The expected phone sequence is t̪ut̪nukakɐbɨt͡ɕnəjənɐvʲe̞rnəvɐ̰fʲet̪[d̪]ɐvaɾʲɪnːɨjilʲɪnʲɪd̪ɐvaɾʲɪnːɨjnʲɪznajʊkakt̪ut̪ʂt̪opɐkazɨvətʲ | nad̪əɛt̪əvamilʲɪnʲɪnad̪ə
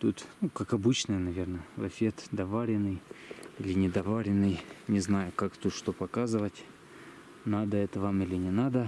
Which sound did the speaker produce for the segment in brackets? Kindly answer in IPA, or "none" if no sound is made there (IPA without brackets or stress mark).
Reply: d̪